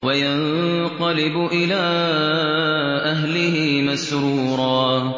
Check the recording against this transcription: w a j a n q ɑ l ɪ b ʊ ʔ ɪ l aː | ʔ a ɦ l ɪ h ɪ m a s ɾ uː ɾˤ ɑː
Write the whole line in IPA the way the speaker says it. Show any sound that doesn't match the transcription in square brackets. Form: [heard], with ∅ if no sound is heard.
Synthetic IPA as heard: w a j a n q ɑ l ɪ b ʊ ʔ ɪ l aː | ʔ a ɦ l ɪ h ɪ m a s ɾ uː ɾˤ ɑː